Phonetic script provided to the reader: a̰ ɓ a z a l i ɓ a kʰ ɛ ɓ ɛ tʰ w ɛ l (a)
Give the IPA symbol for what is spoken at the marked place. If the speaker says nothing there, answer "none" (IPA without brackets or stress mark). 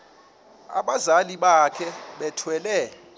ɛ